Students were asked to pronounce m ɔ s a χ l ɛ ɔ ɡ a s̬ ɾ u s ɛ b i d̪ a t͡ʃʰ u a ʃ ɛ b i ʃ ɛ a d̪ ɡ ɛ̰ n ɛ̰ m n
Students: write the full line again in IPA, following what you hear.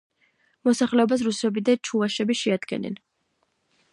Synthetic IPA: m ɔ s a χ l ɛ ɔ b a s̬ ɾ u s ɛ b i d̪ a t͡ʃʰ u a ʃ ɛ b i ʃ ɛ a d̪ ɡ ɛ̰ n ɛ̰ n